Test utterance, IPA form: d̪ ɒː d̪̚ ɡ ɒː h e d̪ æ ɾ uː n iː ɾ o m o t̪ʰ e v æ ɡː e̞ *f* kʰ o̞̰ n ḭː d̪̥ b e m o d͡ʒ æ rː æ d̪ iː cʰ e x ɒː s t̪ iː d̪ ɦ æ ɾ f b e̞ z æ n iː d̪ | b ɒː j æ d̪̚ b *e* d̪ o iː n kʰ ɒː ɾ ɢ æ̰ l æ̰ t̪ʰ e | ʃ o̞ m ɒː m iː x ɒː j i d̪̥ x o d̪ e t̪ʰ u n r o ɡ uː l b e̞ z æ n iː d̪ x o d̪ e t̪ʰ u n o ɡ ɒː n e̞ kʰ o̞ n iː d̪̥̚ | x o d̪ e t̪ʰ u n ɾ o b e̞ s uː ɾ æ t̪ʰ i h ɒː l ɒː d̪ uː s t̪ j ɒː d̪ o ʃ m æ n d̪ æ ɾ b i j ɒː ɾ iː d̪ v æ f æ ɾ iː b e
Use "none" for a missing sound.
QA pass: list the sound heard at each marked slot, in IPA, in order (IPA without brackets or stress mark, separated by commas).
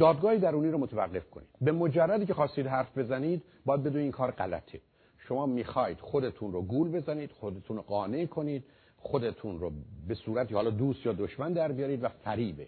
f, e